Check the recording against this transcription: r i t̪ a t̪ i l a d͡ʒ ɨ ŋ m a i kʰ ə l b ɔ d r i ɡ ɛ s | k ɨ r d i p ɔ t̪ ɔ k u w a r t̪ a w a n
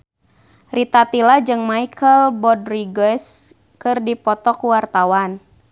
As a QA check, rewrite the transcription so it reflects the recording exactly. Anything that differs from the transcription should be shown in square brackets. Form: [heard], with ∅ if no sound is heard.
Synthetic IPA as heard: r i t̪ a t̪ i l a d͡ʒ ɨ ŋ m a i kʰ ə l b ɔ d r i ɡ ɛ s | k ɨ r d i p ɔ t̪ ɔ k u w a r t̪ a w a n